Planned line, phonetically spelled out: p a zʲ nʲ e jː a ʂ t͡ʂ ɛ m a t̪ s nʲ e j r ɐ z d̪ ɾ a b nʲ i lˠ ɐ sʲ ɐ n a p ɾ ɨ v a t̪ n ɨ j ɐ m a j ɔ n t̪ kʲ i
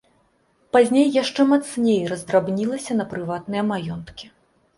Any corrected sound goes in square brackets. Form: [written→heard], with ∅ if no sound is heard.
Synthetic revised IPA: p a zʲ nʲ e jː a ʂ t͡ʂ ɛ m a t̪ s nʲ e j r ɐ z d̪ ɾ a b nʲ i lˠ ɐ sʲ ɐ n [a→ɐ] p ɾ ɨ v a t̪ n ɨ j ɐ m a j ɔ n t̪ kʲ i